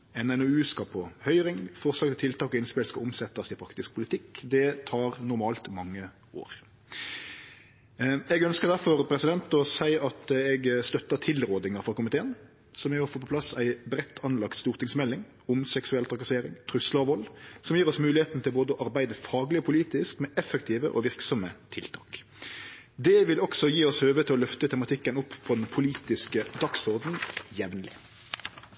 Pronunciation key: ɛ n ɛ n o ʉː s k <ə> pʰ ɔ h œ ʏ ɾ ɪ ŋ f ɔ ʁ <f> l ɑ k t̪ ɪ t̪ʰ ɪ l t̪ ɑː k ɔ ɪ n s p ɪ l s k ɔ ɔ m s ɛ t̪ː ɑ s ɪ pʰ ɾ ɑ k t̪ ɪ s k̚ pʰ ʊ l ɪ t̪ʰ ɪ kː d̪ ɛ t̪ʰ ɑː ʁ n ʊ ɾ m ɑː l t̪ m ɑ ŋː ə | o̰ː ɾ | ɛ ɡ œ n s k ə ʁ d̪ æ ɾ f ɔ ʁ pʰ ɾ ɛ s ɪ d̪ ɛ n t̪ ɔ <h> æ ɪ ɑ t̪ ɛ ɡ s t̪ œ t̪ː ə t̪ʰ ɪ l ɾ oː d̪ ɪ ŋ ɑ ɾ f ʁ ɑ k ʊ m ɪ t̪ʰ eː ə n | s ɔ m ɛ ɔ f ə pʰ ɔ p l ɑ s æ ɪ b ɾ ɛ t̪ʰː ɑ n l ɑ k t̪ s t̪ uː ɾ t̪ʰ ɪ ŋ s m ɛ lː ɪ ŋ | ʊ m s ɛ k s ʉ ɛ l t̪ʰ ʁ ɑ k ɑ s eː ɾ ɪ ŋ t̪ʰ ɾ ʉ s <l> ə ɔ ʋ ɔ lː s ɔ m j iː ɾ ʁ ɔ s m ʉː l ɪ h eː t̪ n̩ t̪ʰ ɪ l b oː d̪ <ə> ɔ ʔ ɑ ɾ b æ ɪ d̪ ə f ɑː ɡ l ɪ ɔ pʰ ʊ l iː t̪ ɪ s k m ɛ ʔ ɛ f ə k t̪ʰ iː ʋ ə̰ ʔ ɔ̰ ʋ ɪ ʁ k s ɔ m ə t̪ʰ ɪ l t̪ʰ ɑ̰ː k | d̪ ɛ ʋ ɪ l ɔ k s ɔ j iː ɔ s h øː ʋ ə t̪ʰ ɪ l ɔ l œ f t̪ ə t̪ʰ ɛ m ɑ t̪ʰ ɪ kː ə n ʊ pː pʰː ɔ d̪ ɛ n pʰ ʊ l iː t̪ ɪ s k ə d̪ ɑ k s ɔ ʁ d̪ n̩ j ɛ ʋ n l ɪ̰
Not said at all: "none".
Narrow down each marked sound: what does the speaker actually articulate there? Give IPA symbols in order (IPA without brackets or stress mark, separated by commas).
ɑ, s, s, l, ə